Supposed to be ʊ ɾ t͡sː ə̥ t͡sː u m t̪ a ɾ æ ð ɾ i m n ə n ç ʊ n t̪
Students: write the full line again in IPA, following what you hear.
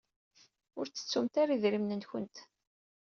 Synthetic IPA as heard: ʊ ɾ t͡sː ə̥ t͡sː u m t̪ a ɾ i ð ɾ i m n ə n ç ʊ n t̪